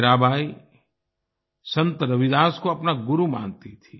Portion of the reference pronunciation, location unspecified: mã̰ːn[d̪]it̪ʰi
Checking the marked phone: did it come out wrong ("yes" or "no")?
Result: yes